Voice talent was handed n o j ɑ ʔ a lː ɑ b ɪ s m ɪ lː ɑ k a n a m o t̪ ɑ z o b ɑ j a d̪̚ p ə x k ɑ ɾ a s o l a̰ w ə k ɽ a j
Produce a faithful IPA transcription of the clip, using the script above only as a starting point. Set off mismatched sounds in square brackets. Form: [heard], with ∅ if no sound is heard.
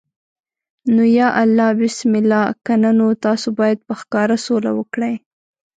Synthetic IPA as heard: n o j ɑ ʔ a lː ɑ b ɪ s m ɪ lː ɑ k a n a [n] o t̪ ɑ [s] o b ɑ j a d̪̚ p ə x k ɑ ɾ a s o l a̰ w ə k ɽ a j

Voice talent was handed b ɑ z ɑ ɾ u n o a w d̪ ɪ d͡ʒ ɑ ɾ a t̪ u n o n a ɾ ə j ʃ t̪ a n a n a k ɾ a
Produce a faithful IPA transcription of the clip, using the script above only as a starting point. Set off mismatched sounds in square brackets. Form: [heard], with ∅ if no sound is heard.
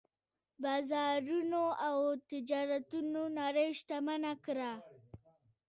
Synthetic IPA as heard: b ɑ z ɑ ɾ u n o a w [t̪] ɪ d͡ʒ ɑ ɾ a t̪ u n o n a ɾ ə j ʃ t̪ a [m] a n a k ɾ a

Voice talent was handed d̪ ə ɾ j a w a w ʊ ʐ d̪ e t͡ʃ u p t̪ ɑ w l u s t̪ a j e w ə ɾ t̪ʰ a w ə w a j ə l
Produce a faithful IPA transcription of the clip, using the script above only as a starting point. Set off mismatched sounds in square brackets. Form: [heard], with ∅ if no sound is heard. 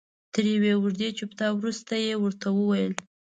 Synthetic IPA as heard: [t̪] ə ɾ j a w [e] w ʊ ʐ d̪ e t͡ʃ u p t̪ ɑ w [ɾ] u s t̪ a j e w ə ɾ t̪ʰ a w ə w a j ə l

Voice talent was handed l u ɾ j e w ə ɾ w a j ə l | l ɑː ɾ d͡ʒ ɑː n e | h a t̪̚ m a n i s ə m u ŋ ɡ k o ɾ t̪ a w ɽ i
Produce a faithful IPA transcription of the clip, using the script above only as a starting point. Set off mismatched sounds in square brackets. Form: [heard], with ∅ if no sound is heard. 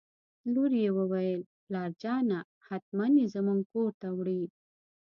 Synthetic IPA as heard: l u ɾ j e w ə [∅] w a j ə l | l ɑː ɾ d͡ʒ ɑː n [a] | h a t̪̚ m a n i [z] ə m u ŋ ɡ k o ɾ t̪ a w ɽ i

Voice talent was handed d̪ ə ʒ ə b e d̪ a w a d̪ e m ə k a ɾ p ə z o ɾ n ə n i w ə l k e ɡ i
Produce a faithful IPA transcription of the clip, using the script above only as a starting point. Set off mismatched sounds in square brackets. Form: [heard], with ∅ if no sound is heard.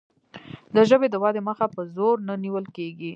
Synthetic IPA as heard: d̪ ə ʒ ə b e d̪ [ə] w [ɑ] d̪ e m ə [x] a [∅] p ə z o ɾ n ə n i w ə l k e ɡ i

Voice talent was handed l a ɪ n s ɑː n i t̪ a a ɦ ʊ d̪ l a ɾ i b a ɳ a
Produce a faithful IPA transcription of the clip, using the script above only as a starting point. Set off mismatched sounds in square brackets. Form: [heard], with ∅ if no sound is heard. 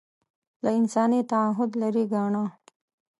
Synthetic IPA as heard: l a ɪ n s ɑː n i t̪ a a ɦ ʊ d̪ l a ɾ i [ɡ] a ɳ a

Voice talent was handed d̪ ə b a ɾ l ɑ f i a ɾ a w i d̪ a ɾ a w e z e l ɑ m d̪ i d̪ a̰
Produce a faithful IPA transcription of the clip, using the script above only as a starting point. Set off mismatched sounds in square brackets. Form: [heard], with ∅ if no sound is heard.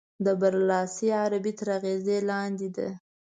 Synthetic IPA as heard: d̪ ə b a ɾ l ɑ [s] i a ɾ a [b] i [t̪] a ɾ a [ɣ] e z e l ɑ [n] d̪ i d̪ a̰

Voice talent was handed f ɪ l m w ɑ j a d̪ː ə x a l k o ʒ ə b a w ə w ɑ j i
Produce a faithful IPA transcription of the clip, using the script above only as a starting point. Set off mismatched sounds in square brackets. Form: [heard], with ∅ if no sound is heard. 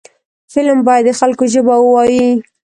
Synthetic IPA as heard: f ɪ l m [b] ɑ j a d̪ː ə x a l k o ʒ ə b a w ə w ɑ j i

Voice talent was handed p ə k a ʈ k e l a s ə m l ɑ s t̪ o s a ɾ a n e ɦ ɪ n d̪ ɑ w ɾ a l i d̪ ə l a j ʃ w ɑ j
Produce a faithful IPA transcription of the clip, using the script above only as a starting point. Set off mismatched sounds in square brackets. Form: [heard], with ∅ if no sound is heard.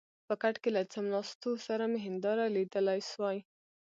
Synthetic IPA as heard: p ə k a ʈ k e l a [t͡s] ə m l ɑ s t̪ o s a ɾ a [m] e ɦ ɪ n d̪ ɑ [∅] ɾ a l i d̪ ə l a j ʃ w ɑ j

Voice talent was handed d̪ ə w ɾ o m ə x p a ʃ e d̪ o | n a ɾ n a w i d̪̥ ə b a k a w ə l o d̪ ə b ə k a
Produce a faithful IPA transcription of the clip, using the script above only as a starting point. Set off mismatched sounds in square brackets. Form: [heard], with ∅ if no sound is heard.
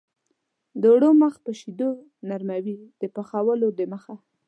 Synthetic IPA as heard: d̪ ə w [ɽ] o m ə x p [ə] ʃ [i] d̪ o | n a ɾ [m] a w i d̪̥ ə [p] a [x] a w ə l o d̪ ə [m] ə [x] a

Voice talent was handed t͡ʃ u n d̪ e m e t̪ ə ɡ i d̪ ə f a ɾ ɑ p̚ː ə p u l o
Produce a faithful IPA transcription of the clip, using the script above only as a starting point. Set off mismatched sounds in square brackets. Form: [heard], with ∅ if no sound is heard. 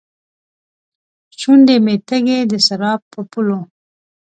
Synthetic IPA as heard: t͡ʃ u n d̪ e m e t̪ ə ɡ [e] d̪ ə [s] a ɾ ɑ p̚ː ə p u l o

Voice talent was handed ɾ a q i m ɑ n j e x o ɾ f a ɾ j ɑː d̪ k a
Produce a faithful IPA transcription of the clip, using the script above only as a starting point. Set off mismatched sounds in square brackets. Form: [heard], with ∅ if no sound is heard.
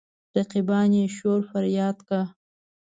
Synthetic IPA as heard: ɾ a q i [b] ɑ n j e [ʃ] o ɾ f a ɾ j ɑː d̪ k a

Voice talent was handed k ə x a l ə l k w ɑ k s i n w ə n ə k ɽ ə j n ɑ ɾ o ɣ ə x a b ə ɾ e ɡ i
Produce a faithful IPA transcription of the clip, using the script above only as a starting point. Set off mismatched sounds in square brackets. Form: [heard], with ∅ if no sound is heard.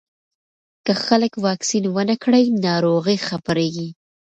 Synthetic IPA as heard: k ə x a l ə [∅] k w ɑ k s i n w ə n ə k ɽ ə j n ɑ ɾ o ɣ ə x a [p] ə ɾ e ɡ i

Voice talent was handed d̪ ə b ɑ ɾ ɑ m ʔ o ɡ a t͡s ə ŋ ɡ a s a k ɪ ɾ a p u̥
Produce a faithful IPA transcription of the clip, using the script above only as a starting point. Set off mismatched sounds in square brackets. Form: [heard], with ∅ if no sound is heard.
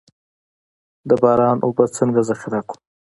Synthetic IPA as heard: d̪ ə b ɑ ɾ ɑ [n] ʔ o [b] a t͡s ə ŋ ɡ a [z] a [x] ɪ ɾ a [k] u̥

